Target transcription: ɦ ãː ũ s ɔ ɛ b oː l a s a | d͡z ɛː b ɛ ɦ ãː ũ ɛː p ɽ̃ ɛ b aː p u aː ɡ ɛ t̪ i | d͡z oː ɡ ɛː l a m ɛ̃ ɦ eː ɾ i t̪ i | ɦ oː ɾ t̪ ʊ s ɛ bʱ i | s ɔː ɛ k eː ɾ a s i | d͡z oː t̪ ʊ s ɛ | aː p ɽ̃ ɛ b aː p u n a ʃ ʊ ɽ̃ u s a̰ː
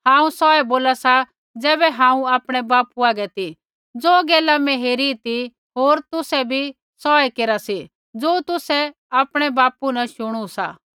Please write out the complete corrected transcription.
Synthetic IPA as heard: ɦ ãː ũ s ɔ ɛ b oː l a s a | d͡z ɛː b ɛ ɦ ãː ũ aː p ɽ̃ ɛ b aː p u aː ɡ ɛ t̪ i | d͡z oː ɡ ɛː l a m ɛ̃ ɦ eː ɾ i t̪ i | ɦ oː ɾ t̪ ʊ s ɛ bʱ i | s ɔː ɛ k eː ɾ a s i | d͡z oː t̪ ʊ s ɛ | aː p ɽ̃ ɛ b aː p u n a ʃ ʊ ɽ̃ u s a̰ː